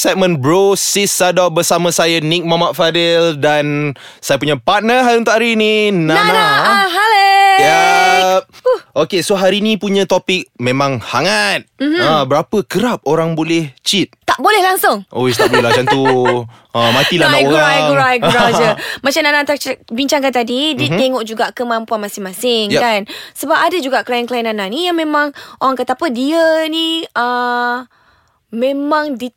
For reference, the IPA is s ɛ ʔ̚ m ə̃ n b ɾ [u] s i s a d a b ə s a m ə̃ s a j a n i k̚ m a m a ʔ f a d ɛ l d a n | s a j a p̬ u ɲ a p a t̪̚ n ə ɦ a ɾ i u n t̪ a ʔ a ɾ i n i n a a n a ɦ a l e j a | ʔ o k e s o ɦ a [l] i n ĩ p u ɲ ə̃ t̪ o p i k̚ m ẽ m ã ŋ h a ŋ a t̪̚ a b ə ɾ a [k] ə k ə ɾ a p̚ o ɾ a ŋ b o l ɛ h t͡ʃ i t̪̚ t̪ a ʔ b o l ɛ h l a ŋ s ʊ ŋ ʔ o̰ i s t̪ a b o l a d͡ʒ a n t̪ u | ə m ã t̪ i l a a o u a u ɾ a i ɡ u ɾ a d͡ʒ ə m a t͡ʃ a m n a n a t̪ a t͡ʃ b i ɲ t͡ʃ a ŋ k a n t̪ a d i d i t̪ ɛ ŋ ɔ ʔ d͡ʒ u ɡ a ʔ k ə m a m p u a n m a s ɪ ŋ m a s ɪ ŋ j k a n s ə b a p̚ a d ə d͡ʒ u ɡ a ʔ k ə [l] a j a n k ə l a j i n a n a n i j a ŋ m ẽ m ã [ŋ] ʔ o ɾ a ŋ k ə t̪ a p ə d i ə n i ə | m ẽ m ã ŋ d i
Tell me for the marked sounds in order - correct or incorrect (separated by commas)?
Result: incorrect, incorrect, incorrect, correct, correct